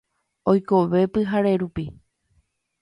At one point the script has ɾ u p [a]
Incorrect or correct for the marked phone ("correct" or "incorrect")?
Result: incorrect